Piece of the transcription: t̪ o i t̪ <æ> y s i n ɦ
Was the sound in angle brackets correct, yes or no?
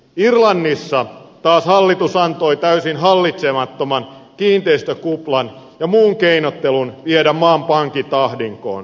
yes